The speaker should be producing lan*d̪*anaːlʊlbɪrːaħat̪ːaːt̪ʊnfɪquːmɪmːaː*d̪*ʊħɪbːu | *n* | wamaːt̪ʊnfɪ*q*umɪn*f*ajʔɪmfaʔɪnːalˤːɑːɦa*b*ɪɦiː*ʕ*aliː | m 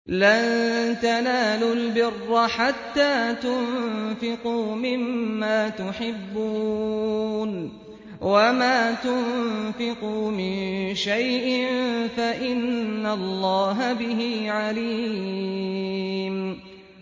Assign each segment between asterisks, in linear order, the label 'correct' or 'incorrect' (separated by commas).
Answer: incorrect, incorrect, correct, correct, incorrect, correct, correct